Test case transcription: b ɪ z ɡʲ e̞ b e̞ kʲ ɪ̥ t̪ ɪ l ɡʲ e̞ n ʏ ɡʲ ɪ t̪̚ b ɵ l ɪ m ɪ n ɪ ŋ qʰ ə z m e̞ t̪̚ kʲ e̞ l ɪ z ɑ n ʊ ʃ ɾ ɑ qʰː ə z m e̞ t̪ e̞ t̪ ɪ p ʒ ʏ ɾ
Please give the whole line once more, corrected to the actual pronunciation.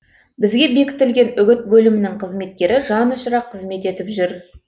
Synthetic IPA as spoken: b ɪ z ɡʲ e̞ b e̞ kʲ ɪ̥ t̪ ɪ l ɡʲ e̞ n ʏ ɡʲ ɪ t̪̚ b ɵ l ɪ m ɪ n ɪ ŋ qʰ ə z m e̞ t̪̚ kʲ e̞ ɾ ɪ ʒ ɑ n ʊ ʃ ɾ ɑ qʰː ə z m e̞ t̪ e̞ t̪ ɪ p ʒ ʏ ɾ

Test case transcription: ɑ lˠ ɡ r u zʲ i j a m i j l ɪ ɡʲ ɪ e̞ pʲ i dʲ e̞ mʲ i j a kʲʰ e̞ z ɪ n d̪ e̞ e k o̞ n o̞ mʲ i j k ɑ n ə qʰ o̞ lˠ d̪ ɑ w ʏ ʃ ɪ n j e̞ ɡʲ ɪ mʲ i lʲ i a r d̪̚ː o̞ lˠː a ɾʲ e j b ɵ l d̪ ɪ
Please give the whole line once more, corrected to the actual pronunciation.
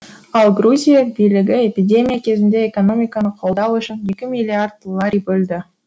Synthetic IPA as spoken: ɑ lˠ ɡ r u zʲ i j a b i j l ɪ ɡʲ ɪ e̞ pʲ i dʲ e̞ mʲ i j a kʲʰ e̞ z ɪ n d̪ e̞ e k o̞ n o̞ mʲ i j k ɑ n ə qʰ o̞ lˠ d̪ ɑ w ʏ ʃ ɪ n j e̞ kʲ ɪ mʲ i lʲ i a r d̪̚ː o̞ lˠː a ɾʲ i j b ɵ l d̪ ɪ

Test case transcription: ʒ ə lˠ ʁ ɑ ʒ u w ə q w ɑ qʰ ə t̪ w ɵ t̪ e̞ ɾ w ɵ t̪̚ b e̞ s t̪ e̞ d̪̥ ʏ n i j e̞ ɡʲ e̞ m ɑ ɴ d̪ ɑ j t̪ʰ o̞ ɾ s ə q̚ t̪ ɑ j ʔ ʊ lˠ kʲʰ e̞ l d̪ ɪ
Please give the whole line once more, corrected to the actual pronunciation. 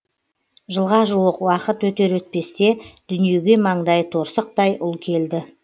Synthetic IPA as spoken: ʒ ə lˠ ʁ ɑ ʒ u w ə q w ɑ q ə t̪ w ɵ t̪ e̞ ɾ w ɵ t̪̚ p e̞ s t̪ e̞ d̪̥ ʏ n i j e̞ ɡʲ e̞ m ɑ ɴ d̪ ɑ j t̪ʰ o̞ ɾ s ə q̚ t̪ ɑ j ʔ ʊ lˠ kʲʰ e̞ l d̪ ɪ

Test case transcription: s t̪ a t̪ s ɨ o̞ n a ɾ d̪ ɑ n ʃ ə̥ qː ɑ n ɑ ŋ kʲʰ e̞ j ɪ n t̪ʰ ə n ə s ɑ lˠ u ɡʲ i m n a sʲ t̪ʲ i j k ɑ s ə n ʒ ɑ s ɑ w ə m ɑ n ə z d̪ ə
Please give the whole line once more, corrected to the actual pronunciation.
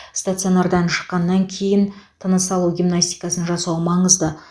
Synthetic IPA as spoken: s t̪ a t̪ s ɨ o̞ n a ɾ d̪ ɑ n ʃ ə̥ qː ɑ nː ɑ ŋ kʲʰ e̞ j ɪ n t̪ʰ ə n ə s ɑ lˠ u ɡʲ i m n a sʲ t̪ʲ i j k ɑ s ə n ʒ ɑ s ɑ w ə m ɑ ɴ ə z d̪ ə

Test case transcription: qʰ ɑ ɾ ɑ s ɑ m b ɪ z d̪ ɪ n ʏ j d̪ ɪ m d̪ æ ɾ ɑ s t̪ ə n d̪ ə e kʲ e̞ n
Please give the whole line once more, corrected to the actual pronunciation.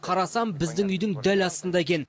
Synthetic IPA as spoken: qʰ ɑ ɾ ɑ s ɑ m b ɪ z d̪ ɪ ŋ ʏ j d̪ ɪ ŋ d̪ æ l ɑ s t̪ ə n d̪ ɑ e kʲ e̞ n

